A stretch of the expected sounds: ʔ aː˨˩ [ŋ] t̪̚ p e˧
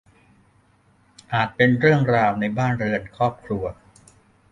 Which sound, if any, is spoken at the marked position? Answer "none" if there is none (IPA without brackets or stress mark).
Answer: none